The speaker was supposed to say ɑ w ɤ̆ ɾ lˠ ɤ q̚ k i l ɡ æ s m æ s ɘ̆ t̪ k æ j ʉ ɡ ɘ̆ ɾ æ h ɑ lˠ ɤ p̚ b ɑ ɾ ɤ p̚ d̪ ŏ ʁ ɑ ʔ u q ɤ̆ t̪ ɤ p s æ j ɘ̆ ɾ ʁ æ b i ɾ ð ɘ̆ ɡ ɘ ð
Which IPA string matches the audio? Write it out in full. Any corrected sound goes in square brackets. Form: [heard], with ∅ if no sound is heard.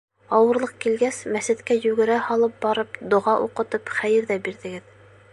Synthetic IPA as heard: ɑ w ɤ̆ ɾ lˠ ɤ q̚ k i l ɡ æ s m æ s ɘ̆ t̪ k æ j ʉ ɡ ɘ̆ ɾ æ h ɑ lˠ ɤ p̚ b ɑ ɾ ɤ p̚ d̪ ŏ ʁ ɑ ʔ u q ɤ̆ t̪ ɤ p [χ] æ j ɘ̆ ɾ [ð] æ b i ɾ ð ɘ̆ ɡ ɘ ð

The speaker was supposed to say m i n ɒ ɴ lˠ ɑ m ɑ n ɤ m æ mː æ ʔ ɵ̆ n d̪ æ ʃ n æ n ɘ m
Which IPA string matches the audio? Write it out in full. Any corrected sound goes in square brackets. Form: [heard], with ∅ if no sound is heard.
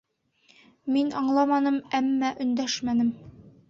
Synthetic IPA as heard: m i n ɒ ɴ lˠ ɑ m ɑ n ɤ m æ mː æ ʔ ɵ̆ n d̪ æ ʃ [m] æ n ɘ m

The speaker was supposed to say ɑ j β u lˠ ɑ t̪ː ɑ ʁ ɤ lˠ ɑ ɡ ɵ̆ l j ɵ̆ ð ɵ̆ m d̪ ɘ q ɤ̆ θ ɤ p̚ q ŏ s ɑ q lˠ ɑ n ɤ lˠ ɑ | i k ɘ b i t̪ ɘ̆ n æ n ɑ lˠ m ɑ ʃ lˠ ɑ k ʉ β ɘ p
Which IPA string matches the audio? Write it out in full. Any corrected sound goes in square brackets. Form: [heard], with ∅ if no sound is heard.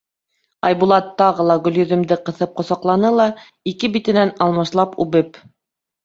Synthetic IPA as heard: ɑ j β u lˠ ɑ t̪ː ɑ ʁ ɤ lˠ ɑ ɡ ɵ̆ l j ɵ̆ ð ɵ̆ m d̪ ɘ q ɤ̆ θ ɤ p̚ q ŏ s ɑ q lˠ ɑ n ɤ lˠ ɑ | i k ɘ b i t̪ ɘ̆ n æ n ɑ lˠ m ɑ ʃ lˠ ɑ [p] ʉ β ɘ p

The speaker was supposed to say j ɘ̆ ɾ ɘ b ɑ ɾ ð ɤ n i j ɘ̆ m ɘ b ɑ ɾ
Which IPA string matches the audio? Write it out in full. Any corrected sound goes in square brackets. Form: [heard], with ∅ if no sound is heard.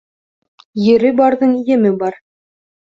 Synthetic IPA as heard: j ɘ̆ ɾ ɘ b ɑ ɾ ð ɤ [ɴ] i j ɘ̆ m ɘ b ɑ ɾ

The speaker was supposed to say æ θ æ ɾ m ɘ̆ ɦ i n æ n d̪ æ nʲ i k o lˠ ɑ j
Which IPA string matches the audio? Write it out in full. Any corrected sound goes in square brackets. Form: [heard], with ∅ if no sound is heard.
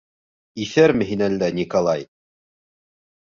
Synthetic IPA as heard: [i] θ æ ɾ m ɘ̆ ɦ i n æ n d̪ æ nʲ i k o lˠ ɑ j

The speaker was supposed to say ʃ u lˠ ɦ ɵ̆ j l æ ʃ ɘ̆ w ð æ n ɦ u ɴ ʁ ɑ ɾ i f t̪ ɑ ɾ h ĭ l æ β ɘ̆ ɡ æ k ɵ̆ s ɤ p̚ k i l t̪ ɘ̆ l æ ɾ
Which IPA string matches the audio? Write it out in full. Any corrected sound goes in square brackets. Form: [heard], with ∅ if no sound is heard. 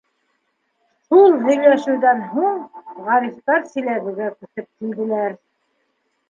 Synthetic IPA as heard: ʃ u lˠ ɦ ɵ̆ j l æ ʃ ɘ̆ w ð æ n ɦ u ɴ ʁ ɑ ɾ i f t̪ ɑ ɾ [s] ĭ l æ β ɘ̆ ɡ æ k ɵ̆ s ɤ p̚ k i l [d̪] ɘ̆ l æ ɾ

